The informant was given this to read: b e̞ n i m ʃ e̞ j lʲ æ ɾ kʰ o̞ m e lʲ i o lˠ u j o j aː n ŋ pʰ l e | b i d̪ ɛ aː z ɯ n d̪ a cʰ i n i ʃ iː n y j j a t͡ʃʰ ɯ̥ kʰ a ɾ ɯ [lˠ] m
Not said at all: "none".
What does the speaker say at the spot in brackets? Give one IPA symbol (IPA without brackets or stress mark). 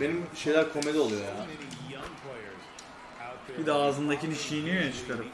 none